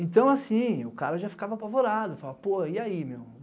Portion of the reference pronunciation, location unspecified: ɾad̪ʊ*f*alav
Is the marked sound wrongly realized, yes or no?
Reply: no